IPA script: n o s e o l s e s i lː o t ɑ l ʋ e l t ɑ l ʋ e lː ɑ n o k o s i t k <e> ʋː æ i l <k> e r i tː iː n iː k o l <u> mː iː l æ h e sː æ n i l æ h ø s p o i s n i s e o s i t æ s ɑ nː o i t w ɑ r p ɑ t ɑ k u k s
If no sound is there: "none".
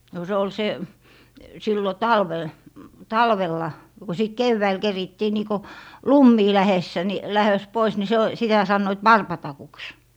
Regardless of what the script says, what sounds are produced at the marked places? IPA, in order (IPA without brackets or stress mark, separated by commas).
e, k, u